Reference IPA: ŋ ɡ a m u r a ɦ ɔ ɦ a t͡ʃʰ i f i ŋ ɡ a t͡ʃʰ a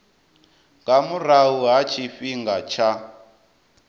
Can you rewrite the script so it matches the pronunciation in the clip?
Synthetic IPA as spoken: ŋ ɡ a m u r a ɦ u ɦ a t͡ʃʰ i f i ŋ ɡ a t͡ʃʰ a